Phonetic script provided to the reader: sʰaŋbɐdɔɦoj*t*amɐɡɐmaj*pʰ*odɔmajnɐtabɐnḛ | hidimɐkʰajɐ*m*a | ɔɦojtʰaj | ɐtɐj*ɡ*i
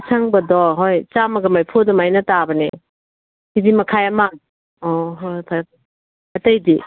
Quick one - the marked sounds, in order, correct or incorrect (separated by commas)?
incorrect, correct, correct, incorrect